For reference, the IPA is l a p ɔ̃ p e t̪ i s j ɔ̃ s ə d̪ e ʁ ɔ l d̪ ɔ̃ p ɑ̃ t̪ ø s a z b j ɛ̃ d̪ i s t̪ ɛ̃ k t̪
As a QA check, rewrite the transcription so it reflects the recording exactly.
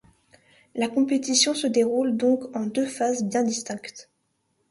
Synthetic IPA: l a k ɔ̃ p e t̪ i s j ɔ̃ s ə d̪ e ʁ u l d̪ ɔ̃ k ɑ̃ d̪ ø f a z b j ɛ̃ d̪ i s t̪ ɛ̃ k t̪